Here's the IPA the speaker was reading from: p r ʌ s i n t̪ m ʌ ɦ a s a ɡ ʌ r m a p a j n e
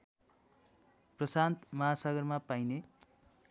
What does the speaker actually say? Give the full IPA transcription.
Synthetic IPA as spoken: p r ʌ s a n t̪ m ʌ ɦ a s ʌ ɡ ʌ r m a p a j n e